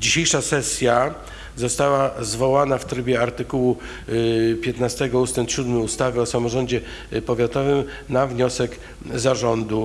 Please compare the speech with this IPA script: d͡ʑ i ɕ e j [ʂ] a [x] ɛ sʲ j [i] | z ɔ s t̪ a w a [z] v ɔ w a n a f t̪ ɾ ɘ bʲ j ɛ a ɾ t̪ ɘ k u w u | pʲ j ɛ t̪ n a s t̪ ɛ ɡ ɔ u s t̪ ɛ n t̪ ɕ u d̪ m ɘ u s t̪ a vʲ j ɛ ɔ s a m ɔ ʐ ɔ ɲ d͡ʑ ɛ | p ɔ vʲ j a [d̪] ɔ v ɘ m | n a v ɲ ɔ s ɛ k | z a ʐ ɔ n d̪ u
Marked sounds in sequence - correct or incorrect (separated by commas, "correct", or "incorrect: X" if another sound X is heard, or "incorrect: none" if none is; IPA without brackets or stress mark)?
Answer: correct, incorrect: s, incorrect: a, correct, incorrect: t̪